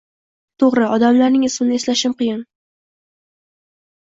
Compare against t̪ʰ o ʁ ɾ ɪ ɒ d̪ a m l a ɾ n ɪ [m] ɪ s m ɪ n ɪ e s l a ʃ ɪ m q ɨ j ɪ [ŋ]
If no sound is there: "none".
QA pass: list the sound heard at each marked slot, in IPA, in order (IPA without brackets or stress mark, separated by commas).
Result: ŋ, n